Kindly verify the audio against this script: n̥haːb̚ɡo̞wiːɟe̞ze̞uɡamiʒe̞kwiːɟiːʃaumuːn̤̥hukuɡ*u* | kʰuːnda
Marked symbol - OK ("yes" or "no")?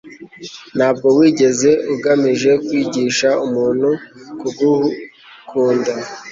yes